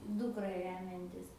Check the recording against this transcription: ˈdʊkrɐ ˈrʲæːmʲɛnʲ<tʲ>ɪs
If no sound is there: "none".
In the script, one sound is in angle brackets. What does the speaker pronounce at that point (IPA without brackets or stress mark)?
tʲ